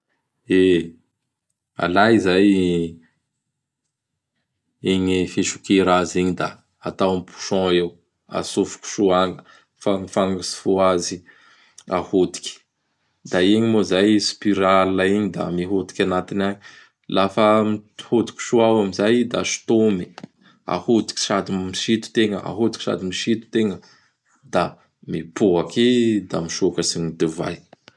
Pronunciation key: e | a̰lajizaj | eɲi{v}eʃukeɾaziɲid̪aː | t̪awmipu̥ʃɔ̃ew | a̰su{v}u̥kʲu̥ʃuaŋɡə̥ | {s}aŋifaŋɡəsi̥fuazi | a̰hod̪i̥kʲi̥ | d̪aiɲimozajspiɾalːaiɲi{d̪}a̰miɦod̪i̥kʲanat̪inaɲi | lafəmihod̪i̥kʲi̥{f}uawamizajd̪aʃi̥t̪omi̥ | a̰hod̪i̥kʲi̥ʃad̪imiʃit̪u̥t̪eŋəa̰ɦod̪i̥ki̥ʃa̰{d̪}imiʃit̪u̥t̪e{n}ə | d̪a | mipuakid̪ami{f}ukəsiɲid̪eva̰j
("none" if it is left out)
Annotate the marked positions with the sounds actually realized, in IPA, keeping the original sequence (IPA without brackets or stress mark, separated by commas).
f, f, f, d̪, ʃ, d̪, ŋ, ʃ